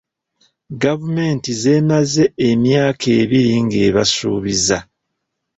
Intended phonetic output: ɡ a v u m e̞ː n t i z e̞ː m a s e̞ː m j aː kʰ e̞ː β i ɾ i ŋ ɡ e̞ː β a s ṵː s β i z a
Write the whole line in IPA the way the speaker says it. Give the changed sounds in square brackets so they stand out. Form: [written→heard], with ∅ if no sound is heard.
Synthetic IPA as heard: ɡ a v u m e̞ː n t i z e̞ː m a [s→z] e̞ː m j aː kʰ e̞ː β i ɾ i ŋ ɡ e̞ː β a s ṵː [s→∅] β i z a